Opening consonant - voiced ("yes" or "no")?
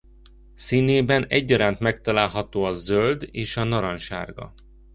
no